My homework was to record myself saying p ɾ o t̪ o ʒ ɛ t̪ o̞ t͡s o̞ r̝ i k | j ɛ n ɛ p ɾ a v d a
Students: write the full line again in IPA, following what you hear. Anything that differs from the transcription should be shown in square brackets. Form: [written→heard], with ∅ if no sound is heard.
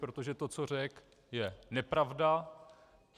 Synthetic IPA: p ɾ o t̪ o ʒ ɛ t̪ o̞ t͡s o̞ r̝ [i→ɛ] k | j ɛ n ɛ p ɾ a v d a